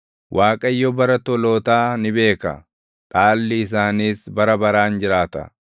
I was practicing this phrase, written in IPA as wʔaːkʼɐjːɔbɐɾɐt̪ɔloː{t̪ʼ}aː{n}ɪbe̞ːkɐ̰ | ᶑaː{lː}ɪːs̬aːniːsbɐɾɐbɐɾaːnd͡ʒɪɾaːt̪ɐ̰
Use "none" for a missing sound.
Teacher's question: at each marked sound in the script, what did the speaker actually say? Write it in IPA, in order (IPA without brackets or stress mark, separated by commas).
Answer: t̪, n, lː